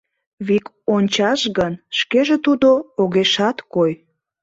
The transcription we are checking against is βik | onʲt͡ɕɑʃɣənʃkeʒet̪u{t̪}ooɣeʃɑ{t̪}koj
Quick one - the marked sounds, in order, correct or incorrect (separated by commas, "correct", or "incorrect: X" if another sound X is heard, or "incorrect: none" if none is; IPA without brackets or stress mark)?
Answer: incorrect: d̪, correct